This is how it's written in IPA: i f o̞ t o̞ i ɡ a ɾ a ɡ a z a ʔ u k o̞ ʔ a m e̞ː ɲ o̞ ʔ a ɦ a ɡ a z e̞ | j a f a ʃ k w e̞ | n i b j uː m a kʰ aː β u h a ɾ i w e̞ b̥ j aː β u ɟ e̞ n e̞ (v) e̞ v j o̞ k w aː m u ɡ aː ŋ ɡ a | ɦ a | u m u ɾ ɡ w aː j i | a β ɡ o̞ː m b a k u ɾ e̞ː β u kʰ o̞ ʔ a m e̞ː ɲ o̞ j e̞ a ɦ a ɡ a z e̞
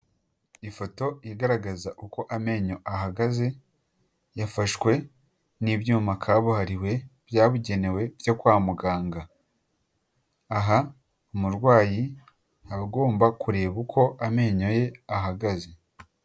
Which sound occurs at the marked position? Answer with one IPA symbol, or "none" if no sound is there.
w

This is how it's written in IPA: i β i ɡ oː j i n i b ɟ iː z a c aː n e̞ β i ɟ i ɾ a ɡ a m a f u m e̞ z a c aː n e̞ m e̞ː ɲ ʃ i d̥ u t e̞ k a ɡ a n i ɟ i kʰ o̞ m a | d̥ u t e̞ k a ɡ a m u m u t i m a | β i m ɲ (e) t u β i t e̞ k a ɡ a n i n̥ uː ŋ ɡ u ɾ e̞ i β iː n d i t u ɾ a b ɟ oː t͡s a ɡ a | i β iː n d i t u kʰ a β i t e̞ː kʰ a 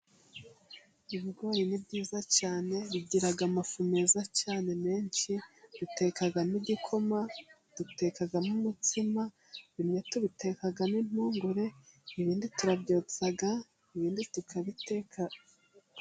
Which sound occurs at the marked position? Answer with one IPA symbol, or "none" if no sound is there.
e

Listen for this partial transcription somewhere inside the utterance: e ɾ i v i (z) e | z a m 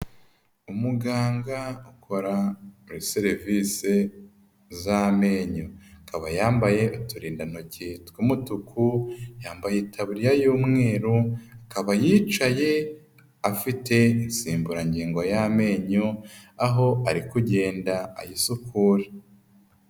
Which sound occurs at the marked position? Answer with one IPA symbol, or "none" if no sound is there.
s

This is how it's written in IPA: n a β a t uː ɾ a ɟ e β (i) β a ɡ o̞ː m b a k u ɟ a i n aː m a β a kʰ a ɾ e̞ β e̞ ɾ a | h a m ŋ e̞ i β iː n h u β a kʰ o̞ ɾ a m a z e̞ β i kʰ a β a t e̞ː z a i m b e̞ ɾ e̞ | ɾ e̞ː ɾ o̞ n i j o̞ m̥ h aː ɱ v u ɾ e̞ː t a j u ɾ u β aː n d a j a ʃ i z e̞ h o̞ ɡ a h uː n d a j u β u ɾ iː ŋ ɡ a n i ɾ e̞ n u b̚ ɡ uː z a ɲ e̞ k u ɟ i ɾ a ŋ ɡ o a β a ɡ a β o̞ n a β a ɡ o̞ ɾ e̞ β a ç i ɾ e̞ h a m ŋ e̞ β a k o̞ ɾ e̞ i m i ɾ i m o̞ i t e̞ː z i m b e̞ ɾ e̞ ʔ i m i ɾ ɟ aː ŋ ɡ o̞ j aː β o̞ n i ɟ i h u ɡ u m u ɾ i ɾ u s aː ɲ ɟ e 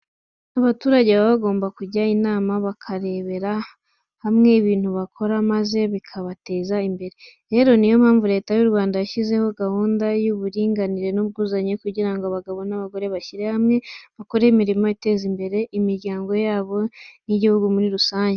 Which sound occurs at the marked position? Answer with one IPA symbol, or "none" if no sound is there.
a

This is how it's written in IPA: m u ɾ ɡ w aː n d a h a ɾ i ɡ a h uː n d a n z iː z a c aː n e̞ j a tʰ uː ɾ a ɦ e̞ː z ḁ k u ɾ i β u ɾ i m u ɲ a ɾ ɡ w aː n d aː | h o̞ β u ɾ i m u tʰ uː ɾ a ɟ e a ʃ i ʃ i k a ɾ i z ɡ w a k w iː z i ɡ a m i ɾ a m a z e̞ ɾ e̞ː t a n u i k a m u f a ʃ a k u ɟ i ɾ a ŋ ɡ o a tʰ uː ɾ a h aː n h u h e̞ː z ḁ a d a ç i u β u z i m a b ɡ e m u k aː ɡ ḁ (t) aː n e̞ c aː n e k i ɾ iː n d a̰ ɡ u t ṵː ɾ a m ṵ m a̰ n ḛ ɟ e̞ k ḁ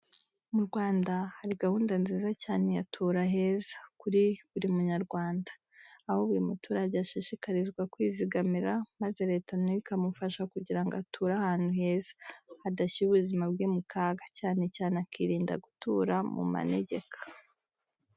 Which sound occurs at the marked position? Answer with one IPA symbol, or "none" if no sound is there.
c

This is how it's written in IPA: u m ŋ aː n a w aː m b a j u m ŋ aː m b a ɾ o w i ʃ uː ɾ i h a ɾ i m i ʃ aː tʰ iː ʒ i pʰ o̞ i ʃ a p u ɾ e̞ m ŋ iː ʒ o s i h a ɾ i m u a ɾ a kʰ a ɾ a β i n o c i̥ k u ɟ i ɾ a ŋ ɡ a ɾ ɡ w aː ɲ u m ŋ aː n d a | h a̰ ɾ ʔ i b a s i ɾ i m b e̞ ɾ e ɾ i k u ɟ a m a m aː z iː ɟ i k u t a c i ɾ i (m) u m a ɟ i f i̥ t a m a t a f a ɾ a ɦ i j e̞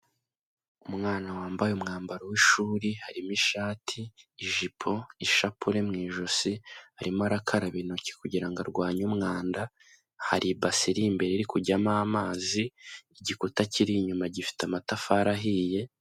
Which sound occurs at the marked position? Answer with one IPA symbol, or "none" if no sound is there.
ɲ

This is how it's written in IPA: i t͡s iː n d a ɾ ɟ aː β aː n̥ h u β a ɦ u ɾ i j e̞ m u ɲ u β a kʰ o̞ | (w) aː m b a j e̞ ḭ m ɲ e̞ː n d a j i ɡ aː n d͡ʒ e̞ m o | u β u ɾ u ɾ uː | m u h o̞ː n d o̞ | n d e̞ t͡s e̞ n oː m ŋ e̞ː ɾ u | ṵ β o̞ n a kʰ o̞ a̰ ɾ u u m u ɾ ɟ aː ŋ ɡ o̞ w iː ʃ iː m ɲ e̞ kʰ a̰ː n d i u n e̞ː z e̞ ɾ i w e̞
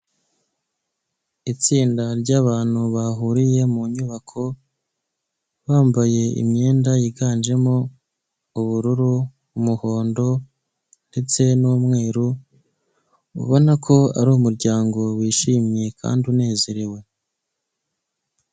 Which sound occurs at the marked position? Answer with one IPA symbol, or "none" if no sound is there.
β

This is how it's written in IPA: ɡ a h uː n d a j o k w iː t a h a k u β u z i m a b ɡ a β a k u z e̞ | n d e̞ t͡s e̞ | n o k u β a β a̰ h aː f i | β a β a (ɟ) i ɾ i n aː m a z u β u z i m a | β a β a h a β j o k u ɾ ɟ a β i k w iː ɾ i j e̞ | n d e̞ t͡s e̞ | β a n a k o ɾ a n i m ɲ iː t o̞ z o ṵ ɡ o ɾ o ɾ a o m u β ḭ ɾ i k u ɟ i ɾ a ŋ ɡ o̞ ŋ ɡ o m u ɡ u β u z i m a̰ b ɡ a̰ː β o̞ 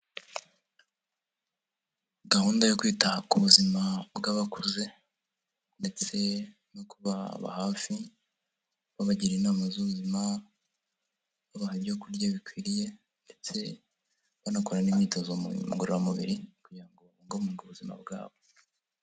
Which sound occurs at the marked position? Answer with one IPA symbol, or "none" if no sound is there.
ɟ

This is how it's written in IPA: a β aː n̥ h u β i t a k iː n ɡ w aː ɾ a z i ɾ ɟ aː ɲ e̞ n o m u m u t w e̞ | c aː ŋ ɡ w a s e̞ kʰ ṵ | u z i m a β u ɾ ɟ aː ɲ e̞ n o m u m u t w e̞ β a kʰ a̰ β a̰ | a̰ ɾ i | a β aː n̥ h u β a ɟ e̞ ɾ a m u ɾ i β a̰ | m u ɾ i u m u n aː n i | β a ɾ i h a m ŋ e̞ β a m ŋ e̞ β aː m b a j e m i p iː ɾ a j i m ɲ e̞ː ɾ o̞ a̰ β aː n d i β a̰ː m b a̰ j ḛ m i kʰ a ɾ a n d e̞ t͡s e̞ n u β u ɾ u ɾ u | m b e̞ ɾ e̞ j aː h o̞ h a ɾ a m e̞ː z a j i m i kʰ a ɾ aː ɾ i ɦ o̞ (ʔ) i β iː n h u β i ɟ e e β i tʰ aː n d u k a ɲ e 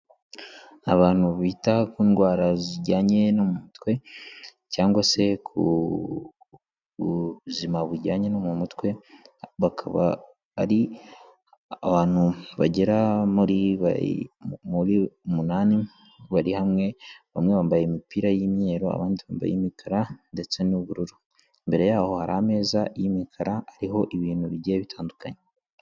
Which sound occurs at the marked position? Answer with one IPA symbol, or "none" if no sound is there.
ʔ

